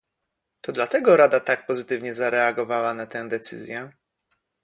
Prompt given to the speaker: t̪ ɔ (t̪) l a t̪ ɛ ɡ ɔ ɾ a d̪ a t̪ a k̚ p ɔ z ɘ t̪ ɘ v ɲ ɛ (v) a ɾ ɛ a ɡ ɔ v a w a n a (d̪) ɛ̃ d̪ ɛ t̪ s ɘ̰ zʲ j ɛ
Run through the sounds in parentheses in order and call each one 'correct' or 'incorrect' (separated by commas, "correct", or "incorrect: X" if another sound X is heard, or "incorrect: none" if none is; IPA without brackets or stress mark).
incorrect: d̪, incorrect: z, incorrect: t̪